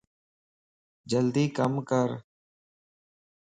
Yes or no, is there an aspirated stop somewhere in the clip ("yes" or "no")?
no